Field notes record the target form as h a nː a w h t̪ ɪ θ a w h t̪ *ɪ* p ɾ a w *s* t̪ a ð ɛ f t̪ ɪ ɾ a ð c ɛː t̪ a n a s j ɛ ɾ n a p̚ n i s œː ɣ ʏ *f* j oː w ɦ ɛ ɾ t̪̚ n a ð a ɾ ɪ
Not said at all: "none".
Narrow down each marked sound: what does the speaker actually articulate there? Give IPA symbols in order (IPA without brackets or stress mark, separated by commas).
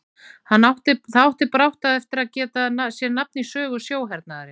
ɪ, h, s